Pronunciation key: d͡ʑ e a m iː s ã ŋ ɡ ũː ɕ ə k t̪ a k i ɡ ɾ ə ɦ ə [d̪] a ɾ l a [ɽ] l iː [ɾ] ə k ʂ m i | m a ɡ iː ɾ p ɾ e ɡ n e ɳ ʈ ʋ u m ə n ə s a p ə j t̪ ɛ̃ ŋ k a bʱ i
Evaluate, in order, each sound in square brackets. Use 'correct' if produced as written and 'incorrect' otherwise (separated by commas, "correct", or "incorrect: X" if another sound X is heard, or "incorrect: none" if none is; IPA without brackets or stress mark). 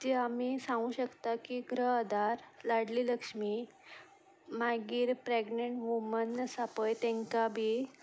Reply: correct, correct, incorrect: l